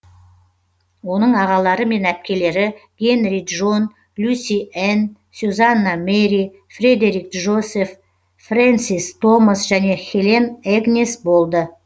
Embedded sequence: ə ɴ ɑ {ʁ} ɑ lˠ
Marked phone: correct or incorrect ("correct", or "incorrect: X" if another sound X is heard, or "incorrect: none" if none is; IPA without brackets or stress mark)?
correct